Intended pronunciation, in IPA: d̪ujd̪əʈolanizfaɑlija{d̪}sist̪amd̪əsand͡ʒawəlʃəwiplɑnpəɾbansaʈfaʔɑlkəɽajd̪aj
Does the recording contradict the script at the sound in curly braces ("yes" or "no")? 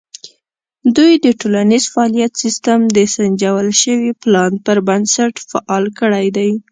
yes